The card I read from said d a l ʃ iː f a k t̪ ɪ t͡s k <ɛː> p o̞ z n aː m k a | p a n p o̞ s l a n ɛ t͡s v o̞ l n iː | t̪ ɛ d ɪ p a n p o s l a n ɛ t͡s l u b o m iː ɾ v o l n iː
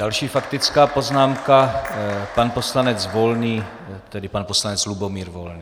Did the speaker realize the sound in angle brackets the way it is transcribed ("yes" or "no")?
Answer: no